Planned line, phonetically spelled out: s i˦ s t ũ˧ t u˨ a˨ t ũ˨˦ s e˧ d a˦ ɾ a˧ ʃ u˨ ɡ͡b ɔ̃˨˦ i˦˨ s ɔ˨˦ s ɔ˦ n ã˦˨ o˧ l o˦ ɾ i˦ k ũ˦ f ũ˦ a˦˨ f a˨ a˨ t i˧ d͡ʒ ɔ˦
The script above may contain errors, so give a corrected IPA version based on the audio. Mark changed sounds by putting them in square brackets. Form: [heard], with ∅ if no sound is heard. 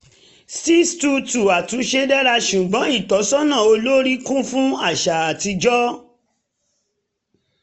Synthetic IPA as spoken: s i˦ s t [u˧] t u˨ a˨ t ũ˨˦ [ʃ] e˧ d [ɛ˦] ɾ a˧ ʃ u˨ ɡ͡b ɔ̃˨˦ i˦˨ [t] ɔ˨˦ s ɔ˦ n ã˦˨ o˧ l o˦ ɾ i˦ k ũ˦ f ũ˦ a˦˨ [ʃ] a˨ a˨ t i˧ d͡ʒ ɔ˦